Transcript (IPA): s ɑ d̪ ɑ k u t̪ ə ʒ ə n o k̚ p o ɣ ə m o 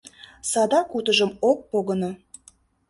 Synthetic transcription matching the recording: s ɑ d̪ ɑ k u t̪ ə ʒ ə m o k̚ p o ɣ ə n o